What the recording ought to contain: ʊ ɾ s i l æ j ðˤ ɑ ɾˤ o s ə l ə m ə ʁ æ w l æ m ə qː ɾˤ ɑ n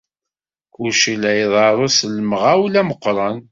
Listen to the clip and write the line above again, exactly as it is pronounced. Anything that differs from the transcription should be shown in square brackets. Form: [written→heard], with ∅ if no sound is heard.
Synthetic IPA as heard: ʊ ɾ [s→ʃ] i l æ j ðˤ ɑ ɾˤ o s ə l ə m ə ʁ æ w l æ m ə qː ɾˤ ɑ n